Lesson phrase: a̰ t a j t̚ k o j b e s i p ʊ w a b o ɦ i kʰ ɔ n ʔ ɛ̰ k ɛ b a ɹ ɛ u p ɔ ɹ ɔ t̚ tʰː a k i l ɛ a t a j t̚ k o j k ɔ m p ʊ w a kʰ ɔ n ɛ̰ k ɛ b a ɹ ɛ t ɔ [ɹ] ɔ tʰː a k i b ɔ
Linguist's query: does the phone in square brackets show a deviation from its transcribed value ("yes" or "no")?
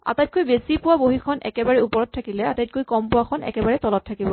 yes